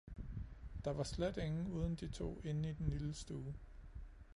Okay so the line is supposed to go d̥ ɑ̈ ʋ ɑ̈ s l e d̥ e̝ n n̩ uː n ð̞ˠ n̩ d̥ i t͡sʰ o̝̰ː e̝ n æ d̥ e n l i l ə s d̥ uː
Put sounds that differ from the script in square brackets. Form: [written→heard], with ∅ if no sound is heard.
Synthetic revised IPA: d̥ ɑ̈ ʋ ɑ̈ s l e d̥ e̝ [n→ŋ] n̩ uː [n→∅] ð̞ˠ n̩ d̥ i t͡sʰ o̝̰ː e̝ n [æ→i] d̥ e n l i l ə s d̥ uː